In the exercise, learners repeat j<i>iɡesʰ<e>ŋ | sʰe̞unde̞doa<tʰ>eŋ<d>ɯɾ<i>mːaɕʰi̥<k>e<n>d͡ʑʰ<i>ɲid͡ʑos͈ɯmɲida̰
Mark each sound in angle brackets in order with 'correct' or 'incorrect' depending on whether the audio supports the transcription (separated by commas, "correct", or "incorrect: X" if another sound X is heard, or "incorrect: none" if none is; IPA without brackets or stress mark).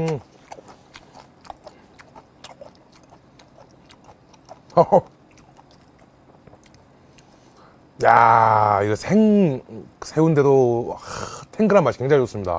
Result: incorrect: a, correct, correct, incorrect: ɡ, incorrect: a, correct, incorrect: ŋ, incorrect: a